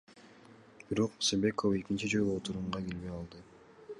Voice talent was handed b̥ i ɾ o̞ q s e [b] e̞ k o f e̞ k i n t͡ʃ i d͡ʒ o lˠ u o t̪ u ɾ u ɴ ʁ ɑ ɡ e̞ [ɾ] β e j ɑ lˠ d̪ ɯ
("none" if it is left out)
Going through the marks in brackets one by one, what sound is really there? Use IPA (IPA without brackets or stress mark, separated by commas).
b, l